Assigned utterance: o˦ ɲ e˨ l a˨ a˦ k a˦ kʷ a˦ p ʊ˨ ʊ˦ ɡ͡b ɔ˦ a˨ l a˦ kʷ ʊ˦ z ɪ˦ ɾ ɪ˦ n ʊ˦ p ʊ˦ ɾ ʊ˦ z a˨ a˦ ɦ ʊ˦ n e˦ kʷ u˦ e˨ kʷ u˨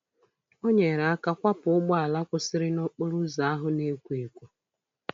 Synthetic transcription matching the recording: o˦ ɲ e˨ ɾ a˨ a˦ k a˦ kʷ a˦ p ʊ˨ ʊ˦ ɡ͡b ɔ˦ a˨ l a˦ kʷ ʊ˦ s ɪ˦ ɾ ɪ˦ n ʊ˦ k͡p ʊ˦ ɾ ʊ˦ z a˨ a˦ ɦ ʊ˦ n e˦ kʷ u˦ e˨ kʷ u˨